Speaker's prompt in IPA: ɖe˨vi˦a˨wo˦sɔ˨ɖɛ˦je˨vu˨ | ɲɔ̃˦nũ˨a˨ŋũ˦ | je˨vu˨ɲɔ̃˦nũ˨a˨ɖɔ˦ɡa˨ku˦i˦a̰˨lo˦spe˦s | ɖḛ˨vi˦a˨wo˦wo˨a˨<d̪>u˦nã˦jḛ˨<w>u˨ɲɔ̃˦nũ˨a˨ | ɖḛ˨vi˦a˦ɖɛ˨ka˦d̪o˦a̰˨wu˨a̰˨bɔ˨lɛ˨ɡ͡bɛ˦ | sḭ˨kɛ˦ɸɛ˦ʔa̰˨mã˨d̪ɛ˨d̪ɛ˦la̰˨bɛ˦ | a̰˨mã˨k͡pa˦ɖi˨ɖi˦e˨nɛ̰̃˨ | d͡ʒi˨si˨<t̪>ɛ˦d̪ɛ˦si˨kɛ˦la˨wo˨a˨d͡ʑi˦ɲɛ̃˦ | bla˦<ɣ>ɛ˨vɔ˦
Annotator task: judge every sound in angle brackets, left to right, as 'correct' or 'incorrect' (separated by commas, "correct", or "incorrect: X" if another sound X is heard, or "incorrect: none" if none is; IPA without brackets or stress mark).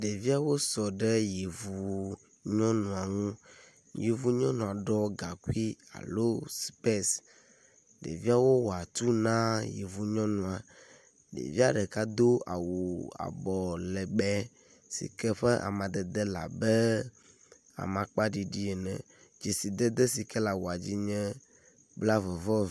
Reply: incorrect: t̪, incorrect: v, incorrect: d̪, incorrect: v